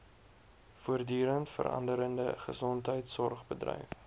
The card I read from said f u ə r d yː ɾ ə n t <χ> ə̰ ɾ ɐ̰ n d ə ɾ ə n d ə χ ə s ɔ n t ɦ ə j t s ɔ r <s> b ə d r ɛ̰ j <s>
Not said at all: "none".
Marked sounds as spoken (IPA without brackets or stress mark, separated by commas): f, χ, f